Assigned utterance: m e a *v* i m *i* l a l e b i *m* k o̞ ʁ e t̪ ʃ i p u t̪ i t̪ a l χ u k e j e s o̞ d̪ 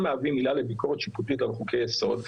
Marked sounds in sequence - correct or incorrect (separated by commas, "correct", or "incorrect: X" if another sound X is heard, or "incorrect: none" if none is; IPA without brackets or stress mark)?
correct, correct, incorrect: none